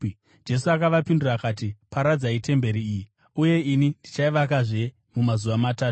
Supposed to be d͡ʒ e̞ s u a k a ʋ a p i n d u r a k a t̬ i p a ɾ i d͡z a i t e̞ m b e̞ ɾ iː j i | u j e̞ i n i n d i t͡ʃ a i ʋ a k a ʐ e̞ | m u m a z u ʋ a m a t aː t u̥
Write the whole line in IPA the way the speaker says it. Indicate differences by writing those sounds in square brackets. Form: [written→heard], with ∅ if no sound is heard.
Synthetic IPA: d͡ʒ e̞ s u a k a ʋ a p i n d u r a k a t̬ i p a ɾ [i→a] d͡z a i t e̞ m b e̞ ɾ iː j i | u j e̞ i n i n d i t͡ʃ a i ʋ a k a ʐ e̞ | m u m a z u ʋ a m a t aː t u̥